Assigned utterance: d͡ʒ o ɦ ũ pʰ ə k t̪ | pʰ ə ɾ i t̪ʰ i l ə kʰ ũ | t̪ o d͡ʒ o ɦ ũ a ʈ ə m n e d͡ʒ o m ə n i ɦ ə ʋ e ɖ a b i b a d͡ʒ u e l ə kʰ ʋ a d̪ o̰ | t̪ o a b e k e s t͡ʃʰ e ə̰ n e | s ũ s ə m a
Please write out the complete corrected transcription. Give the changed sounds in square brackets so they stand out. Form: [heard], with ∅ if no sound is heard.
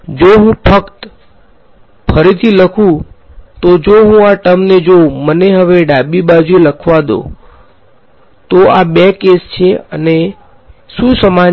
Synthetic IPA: d͡ʒ o ɦ ũ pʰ ə k t̪ | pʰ ə ɾ i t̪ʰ i l ə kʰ ũ | t̪ o d͡ʒ o ɦ ũ a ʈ ə m n e d͡ʒ o m ə n [e] ɦ ə ʋ e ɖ a b i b a d͡ʒ u e l ə kʰ ʋ a d̪ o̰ | t̪ o a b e k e s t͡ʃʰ e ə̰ n e | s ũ s ə m a